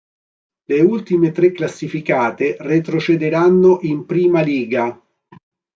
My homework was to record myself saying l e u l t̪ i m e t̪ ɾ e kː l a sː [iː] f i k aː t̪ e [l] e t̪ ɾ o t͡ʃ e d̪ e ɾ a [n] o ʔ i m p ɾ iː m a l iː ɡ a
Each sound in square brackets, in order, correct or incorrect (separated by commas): incorrect, incorrect, incorrect